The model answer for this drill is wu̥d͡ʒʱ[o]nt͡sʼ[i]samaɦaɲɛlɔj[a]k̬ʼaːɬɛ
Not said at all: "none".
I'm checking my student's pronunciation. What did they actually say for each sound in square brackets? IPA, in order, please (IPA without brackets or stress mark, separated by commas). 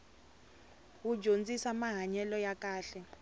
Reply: o, i, a